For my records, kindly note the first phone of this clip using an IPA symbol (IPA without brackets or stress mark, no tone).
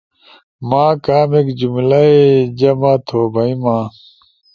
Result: m